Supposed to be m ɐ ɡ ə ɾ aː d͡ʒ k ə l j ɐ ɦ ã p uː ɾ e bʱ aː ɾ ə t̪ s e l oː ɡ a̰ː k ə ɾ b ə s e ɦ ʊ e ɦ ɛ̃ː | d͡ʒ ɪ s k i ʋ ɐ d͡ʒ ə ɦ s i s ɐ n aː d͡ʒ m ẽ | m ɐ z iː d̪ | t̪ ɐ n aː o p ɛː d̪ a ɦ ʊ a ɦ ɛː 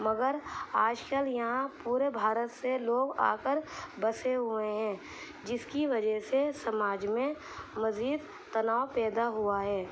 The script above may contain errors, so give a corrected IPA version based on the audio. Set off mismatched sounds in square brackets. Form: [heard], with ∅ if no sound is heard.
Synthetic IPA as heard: m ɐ ɡ ə ɾ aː d͡ʒ k ə l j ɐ ɦ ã p uː ɾ e bʱ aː ɾ ə t̪ s e l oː ɡ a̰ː k ə ɾ b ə s e ɦ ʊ e ɦ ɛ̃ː | d͡ʒ ɪ s k i ʋ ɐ d͡ʒ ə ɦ s [e] s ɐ [m] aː d͡ʒ m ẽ | m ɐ z iː d̪ | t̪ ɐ n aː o p ɛː d̪ a ɦ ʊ a ɦ ɛː